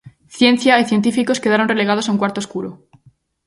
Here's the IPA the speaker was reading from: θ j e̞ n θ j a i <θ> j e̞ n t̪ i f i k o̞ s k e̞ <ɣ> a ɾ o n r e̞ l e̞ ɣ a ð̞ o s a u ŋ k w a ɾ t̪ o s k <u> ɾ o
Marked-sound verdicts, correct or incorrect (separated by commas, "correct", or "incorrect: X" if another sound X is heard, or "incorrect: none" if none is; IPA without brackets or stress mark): correct, incorrect: ð, correct